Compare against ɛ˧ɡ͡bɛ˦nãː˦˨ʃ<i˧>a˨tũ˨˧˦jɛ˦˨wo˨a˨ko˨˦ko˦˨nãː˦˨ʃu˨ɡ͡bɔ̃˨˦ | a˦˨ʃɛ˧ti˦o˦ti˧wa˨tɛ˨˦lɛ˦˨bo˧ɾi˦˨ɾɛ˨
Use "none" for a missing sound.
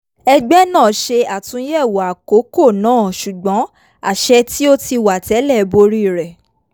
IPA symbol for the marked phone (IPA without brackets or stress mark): e˧